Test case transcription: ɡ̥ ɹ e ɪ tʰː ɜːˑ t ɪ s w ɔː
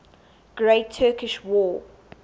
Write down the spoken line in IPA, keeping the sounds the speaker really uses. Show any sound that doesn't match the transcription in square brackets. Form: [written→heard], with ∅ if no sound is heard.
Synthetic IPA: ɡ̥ ɹ e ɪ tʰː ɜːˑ [t→k] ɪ [s→ʃ] w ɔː